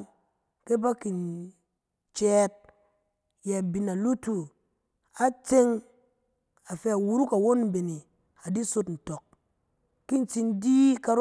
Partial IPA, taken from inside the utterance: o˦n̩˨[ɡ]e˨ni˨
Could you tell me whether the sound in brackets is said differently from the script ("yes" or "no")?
yes